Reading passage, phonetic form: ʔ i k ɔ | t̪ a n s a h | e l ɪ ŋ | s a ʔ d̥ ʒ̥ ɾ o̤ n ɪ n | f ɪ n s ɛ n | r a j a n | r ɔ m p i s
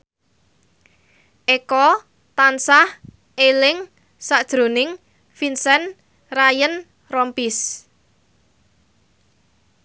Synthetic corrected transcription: ʔ e k ɔ | t̪ a n s a h | e l ɪ ŋ | s a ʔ d̥ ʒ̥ ɾ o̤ n ɪ ŋ | f i n s ɛ n | r a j ə n | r ɔ m p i s

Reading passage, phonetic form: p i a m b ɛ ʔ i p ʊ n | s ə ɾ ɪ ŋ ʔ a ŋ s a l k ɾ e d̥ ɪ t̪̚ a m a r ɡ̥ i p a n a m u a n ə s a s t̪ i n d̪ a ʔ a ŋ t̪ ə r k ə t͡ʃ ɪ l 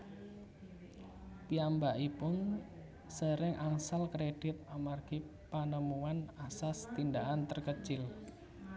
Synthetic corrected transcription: p i a m b a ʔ i p ʊ n | s ə ɾ ɪ ŋ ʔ a ŋ s a l k ɾ e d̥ ɪ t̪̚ a m a r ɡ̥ i p a n ə m u a n a s a s t̪ i n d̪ a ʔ a n t̪ ə r k ə t͡ʃ ɪ l

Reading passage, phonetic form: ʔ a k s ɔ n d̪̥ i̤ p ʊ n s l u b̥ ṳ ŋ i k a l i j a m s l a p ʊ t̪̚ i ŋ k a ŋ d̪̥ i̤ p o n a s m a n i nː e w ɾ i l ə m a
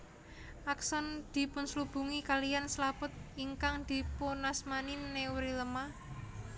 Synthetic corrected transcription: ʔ a k s ɔ n d̪̥ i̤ p ʊ n s l u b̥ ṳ ŋ i k a l i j a n s l a p ʊ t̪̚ i ŋ k a ŋ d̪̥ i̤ p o n a s m a n i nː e w ɾ i l ə m a

